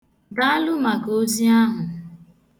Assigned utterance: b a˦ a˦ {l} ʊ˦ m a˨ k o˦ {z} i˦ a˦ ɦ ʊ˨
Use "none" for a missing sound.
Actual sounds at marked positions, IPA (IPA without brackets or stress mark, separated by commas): l, z